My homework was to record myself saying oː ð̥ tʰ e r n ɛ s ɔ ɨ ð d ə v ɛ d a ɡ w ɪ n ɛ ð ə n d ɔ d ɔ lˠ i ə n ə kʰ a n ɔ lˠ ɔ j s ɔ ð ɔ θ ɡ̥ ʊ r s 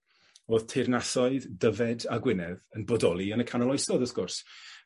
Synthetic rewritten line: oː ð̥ tʰ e r n a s ɔ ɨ ð d ə v ɛ d a ɡ w ɪ n ɛ ð ə n b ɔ d ɔ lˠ i ə n ə kʰ a n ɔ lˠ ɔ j s ɔ ð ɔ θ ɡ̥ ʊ r s